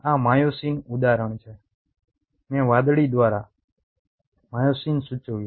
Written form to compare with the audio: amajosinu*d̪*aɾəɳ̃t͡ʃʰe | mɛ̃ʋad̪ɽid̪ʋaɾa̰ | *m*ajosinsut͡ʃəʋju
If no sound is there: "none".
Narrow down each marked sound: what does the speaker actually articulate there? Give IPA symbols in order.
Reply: d̪, m

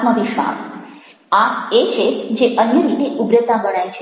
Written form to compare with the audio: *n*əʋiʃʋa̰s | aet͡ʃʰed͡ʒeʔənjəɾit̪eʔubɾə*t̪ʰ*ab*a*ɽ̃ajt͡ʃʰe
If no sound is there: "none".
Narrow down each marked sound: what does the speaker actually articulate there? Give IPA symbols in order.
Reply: m, t̪, ə

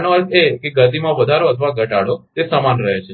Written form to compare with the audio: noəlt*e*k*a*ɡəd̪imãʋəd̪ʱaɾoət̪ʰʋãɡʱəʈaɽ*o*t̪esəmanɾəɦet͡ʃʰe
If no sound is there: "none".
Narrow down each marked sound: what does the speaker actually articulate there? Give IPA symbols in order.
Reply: e, e, o

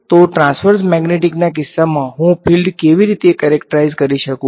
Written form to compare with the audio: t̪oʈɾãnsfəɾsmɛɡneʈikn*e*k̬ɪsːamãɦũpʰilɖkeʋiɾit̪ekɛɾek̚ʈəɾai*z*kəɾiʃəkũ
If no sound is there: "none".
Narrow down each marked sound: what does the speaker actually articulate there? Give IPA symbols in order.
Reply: a, z

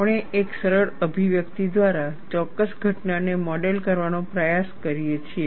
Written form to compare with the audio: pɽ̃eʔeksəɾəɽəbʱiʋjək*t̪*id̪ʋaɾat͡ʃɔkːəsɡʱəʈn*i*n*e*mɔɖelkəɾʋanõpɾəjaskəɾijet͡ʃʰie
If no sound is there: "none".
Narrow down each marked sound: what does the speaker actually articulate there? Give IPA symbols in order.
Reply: t̪, a, e

